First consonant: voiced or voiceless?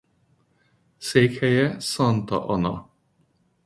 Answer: voiceless